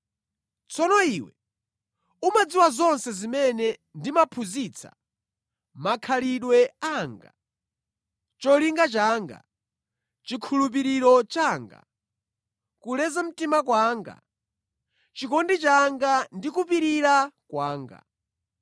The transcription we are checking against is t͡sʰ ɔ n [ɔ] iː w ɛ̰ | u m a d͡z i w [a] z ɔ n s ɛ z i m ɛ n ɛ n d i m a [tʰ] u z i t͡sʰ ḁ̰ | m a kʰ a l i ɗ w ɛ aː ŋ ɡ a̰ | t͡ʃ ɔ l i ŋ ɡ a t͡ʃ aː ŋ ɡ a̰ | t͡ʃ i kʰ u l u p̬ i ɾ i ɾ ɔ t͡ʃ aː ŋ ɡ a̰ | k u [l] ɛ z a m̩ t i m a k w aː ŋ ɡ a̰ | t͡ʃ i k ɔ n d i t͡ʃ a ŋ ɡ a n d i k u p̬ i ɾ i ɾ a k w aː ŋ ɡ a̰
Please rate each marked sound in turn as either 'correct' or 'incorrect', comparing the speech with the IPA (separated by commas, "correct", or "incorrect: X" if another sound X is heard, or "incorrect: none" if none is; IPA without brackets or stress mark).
correct, correct, incorrect: pʰ, correct